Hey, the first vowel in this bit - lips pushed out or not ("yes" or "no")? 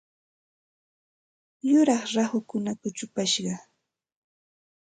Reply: yes